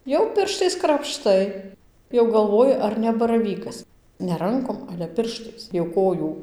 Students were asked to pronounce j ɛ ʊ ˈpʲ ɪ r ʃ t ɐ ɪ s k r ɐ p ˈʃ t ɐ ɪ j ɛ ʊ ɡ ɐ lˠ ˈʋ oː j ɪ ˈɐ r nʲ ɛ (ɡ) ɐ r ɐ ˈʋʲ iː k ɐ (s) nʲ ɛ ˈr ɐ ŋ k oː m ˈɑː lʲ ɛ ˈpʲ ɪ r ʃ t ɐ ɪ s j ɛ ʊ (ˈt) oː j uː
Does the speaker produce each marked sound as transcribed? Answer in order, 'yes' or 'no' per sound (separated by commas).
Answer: no, yes, no